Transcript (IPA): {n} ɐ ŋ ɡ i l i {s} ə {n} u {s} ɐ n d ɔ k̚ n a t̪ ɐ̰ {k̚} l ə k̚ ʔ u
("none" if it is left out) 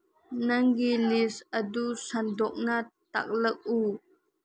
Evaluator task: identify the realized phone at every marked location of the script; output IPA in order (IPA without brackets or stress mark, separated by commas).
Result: n, s, d, s, k̚